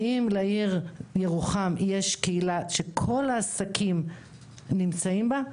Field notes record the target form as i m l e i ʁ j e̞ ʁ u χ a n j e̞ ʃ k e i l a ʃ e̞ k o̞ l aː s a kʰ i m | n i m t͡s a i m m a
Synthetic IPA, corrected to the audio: i m l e i ʁ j e̞ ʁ u χ a m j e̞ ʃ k e i l a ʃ e̞ kʰ o̞ l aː s a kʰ i m | n i m t͡s a i m b a